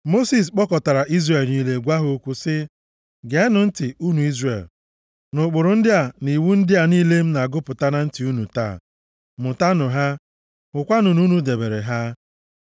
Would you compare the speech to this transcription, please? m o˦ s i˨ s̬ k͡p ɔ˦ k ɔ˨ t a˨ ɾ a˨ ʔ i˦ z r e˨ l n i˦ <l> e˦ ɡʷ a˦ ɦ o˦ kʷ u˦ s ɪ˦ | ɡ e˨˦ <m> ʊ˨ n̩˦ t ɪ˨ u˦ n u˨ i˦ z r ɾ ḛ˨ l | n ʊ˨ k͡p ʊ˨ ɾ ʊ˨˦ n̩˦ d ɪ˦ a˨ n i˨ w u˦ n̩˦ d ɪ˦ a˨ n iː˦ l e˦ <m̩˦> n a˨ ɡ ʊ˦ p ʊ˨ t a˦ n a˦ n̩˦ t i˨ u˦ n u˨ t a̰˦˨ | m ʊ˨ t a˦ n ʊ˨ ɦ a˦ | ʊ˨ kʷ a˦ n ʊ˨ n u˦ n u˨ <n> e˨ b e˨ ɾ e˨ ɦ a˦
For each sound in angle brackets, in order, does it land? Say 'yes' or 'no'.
yes, no, yes, no

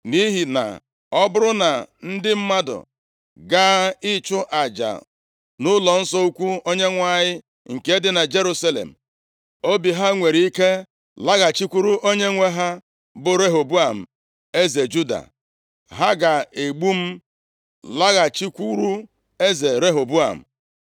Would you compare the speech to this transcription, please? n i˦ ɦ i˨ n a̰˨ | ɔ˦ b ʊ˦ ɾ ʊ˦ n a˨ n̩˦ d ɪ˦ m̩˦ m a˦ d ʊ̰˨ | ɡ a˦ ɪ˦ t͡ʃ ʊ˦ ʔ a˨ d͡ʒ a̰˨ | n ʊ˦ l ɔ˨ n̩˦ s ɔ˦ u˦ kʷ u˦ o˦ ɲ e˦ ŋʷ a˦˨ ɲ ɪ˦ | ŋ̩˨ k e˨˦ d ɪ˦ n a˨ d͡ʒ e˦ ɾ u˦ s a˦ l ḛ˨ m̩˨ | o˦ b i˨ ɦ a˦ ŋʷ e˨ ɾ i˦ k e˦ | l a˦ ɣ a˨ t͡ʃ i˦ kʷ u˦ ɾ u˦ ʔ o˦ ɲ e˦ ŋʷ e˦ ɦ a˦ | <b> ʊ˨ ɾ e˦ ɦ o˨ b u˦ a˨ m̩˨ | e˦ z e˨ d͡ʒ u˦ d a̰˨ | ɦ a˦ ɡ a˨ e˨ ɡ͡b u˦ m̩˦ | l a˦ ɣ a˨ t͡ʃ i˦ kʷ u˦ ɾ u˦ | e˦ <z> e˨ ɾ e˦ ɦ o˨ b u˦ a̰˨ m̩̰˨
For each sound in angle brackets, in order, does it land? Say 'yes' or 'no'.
yes, yes

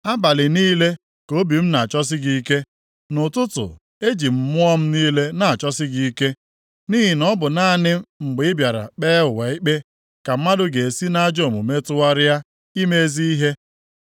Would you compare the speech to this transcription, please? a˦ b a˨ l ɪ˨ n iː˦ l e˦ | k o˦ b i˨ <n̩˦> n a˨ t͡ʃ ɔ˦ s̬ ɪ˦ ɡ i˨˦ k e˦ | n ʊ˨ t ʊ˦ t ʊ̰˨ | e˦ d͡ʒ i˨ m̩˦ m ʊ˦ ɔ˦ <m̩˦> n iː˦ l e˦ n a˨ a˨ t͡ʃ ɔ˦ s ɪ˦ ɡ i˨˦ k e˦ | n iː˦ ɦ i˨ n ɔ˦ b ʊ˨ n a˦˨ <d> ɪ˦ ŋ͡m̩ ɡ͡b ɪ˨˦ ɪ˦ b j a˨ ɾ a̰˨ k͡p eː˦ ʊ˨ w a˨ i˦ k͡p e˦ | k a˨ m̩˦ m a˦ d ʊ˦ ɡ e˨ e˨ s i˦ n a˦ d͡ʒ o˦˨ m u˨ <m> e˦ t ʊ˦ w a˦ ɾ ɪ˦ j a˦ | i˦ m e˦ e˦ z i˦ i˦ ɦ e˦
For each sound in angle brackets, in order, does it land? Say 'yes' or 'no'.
no, yes, no, yes

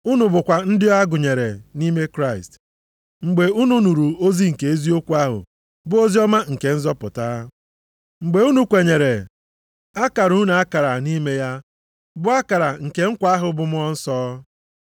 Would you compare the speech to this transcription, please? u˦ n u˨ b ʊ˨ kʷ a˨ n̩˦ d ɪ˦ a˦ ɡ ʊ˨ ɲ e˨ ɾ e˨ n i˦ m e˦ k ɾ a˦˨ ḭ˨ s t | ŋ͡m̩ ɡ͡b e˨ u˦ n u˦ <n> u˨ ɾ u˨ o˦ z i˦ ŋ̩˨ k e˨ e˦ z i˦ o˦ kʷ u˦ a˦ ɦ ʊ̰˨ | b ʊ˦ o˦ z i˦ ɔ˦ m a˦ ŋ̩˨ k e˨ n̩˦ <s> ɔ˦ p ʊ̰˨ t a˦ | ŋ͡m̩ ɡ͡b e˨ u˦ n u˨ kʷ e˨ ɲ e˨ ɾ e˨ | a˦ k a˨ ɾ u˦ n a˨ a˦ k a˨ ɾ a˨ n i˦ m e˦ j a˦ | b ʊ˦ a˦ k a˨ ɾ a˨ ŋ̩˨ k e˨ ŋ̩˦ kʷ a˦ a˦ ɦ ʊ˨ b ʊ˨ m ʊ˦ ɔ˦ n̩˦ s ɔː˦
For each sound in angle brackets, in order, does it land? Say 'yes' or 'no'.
yes, no

